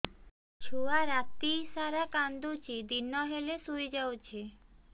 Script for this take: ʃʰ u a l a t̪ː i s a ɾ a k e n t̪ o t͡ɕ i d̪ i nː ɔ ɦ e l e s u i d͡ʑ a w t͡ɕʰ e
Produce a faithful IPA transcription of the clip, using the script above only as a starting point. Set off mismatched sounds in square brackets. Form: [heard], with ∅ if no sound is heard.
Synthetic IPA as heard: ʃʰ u a [ɾ] a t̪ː i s a ɾ a k [a] n [d̪] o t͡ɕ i d̪ i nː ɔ ɦ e l e s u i d͡ʑ a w t͡ɕʰ e